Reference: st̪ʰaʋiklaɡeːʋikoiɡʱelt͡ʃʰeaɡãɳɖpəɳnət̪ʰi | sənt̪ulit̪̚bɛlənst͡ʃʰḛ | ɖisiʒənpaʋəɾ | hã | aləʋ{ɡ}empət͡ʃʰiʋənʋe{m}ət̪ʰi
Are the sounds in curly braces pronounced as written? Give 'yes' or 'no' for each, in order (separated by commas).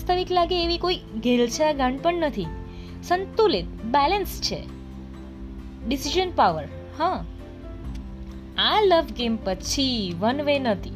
yes, no